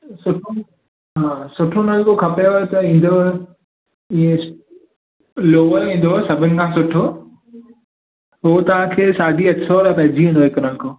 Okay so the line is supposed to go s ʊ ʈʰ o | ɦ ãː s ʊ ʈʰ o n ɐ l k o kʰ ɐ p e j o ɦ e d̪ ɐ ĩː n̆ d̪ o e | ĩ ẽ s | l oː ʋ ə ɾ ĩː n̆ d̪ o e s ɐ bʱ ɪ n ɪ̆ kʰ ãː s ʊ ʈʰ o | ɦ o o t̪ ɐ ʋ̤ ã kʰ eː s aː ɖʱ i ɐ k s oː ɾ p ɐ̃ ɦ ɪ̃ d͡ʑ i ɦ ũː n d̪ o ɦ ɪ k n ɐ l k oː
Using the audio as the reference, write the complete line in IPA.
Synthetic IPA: s ʊ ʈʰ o | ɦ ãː s ʊ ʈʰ o n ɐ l k o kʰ ɐ p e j o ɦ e t̪ ɐ ĩː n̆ d̪ o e | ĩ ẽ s | l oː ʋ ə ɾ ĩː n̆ d̪ o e s ɐ bʱ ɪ n ɪ̆ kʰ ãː s ʊ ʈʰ o | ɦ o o t̪ ɐ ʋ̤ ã kʰ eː s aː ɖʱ i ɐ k s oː ɾ p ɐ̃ ɦ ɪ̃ d͡ʑ i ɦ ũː n d̪ o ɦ ɪ k n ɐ l k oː

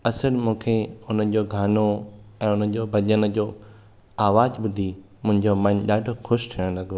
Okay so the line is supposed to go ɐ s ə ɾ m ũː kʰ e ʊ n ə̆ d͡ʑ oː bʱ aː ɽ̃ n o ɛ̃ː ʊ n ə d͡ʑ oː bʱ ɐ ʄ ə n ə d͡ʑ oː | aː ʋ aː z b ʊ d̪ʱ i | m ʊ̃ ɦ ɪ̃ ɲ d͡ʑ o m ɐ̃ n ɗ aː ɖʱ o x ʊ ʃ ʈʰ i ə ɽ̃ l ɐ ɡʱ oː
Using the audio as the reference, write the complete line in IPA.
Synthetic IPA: ɐ s ə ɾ m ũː kʰ e ʊ n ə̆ d͡ʑ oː ɡʱ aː n o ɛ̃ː ʊ n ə d͡ʑ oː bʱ ɐ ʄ ə n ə d͡ʑ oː | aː ʋ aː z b ʊ d̪ʱ i | m ʊ̃ ɦ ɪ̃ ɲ d͡ʑ o m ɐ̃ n ɗ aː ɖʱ o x ʊ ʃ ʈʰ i ə ɽ̃ l ɐ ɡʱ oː

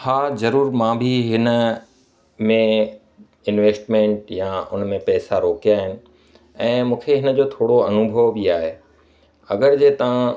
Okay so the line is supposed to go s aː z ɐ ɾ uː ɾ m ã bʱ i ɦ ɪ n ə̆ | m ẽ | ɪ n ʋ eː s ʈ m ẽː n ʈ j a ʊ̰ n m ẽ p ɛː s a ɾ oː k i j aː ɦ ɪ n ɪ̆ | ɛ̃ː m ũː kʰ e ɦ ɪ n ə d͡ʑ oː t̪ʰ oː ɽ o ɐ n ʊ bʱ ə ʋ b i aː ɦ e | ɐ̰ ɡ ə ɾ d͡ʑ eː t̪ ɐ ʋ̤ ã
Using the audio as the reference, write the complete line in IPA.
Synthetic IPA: h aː z ɐ ɾ uː ɾ m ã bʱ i ɦ ɪ n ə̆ | m ẽ | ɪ n ʋ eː s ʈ m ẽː ɳ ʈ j a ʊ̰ n m ẽ p ɛː s a ɾ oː k i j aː ɦ ɪ n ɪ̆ | ɛ̃ː m ũː kʰ e ɦ ɪ n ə d͡ʑ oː t̪ʰ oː ɽ o ɐ n ʊ bʱ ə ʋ b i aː ɦ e | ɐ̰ ɡ ə ɾ d͡ʑ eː t̪ ɐ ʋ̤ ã

